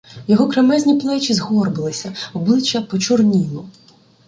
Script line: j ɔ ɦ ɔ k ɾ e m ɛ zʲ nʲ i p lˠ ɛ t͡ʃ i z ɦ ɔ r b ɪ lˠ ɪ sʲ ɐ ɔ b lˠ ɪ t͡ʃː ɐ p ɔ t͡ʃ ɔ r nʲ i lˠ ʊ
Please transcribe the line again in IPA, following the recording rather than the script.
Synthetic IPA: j ɔ ɦ ɔ k ɾ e m ɛ zʲ nʲ i p lˠ ɛ t͡ʃ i z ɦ ɔ r b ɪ lˠ ɪ sʲ ɐ ɔ b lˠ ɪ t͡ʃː ɐ p ɔ t͡ʃ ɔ r nʲ i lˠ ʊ